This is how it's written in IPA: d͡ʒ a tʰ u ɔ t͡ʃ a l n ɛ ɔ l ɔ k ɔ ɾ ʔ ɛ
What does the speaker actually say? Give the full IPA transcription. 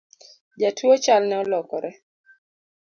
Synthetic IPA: d͡ʒ a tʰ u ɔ t͡ʃ a l n ɛ ɔ l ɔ k ɔ ɾ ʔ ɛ